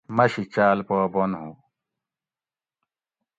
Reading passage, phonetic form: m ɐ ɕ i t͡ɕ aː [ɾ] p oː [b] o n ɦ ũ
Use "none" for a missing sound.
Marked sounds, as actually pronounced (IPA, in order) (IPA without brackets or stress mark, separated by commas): l, b